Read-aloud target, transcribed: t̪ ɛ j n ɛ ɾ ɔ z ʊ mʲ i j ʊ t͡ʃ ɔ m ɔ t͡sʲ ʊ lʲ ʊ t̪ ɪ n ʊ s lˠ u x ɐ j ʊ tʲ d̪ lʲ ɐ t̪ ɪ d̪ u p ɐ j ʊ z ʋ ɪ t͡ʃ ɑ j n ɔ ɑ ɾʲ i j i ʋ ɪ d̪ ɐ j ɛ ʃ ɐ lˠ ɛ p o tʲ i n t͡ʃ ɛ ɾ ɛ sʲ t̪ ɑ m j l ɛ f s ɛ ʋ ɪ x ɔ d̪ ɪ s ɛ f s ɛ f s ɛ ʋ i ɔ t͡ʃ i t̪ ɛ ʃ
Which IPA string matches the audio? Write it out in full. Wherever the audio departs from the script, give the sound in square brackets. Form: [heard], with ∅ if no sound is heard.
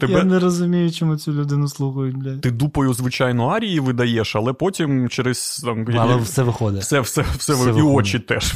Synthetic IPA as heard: t̪ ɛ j n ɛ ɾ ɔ z ʊ mʲ i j ʊ t͡ʃ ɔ m [u] t͡sʲ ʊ lʲ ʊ [d̪] ɪ n ʊ s lˠ u x ɐ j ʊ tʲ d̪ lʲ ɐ t̪ ɪ d̪ u p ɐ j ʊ z ʋ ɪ t͡ʃ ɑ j n ɔ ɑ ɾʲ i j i ʋ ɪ d̪ ɐ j ɛ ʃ ɐ lˠ ɛ p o tʲ i [m] t͡ʃ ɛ ɾ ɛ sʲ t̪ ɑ m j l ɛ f s ɛ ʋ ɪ x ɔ d̪ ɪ s ɛ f s ɛ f s ɛ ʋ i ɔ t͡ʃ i t̪ ɛ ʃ